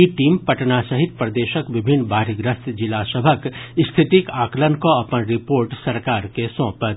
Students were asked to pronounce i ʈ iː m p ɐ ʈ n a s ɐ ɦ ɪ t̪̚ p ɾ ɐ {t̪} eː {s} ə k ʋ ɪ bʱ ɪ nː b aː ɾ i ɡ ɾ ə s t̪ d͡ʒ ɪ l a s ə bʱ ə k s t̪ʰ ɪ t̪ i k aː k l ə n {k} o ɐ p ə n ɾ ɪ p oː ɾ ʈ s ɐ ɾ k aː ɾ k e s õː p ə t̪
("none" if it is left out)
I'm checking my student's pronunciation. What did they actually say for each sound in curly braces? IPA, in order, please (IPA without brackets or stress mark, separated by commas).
d̪, ʃ, k